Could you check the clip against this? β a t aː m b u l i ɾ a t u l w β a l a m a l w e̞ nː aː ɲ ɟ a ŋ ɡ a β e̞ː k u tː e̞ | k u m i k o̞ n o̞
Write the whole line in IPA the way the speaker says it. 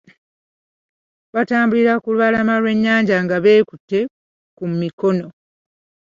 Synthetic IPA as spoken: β a t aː m b u l i ɾ a k u l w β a l a m a l w e̞ ɲː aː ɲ ɟ a ŋ ɡ a β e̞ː k u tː e̞ | k u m i k o̞ n o̞